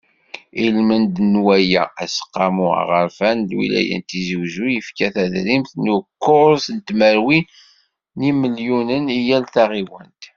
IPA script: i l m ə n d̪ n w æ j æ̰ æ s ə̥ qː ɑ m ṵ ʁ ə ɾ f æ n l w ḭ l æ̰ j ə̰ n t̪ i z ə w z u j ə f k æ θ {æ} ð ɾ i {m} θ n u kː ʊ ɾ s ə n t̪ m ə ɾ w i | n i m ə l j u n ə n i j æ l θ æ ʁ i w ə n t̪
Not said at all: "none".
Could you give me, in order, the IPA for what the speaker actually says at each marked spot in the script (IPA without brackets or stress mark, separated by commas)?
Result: æ, m